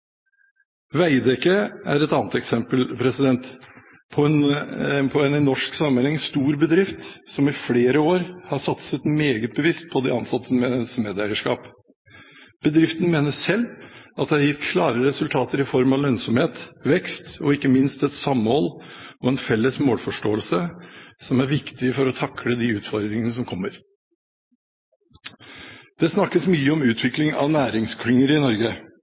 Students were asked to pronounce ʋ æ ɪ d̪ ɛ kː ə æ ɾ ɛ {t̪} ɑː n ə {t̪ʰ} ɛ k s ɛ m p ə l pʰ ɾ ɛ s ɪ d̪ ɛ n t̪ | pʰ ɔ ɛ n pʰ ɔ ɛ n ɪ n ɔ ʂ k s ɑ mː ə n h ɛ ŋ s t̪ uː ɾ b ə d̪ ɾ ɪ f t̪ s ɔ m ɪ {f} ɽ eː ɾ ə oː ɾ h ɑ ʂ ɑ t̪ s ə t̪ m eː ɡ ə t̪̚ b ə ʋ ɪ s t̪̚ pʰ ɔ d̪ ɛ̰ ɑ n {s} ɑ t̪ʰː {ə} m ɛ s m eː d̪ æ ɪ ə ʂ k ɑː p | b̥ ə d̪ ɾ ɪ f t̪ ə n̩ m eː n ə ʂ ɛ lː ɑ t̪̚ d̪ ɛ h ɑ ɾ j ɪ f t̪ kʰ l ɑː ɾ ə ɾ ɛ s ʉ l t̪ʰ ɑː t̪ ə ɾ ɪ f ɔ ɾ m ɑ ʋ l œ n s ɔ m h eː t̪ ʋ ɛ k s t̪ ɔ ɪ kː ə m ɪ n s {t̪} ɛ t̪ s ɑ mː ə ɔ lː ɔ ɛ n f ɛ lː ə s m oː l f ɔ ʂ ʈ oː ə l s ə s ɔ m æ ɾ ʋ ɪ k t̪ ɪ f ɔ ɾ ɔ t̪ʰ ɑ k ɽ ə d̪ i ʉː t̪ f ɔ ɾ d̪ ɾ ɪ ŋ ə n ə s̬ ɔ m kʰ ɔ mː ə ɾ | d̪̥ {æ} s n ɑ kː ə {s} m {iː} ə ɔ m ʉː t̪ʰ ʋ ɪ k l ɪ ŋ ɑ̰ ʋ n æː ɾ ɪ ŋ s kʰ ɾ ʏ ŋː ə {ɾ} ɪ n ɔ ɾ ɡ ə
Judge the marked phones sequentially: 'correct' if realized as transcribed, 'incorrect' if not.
correct, incorrect: t̪, correct, correct, correct, correct, incorrect: ɛ, correct, incorrect: yː, correct

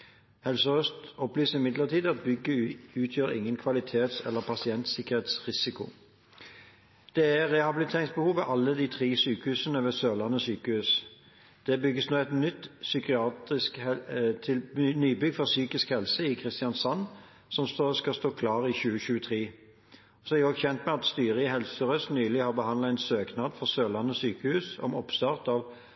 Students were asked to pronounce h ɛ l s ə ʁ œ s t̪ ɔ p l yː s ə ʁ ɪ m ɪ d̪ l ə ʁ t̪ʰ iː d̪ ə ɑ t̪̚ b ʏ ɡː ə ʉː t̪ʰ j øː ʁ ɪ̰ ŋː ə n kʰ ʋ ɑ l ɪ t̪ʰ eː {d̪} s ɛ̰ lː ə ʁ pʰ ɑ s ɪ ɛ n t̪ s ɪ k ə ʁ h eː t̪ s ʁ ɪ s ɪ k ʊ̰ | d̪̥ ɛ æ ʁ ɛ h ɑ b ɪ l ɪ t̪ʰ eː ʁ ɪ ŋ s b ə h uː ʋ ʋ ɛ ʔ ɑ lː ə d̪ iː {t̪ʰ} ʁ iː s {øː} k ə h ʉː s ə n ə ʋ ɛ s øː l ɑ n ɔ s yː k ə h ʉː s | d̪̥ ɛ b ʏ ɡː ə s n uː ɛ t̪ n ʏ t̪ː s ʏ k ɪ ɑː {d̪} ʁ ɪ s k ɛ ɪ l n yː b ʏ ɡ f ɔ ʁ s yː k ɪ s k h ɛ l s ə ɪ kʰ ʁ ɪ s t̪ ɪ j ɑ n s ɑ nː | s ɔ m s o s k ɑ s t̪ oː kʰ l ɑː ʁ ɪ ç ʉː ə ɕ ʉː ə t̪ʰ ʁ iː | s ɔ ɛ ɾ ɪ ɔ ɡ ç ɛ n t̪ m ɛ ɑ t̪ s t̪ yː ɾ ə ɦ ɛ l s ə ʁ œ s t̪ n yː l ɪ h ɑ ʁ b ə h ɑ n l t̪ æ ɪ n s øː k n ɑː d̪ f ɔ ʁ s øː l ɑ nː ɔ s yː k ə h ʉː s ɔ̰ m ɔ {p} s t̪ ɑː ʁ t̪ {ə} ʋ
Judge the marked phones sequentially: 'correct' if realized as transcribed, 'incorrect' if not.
incorrect: t̪, correct, incorrect: yː, incorrect: t̪, correct, incorrect: ɑ

